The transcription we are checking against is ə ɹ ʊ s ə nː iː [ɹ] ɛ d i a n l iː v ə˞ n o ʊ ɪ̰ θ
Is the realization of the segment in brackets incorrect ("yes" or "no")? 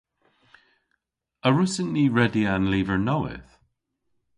no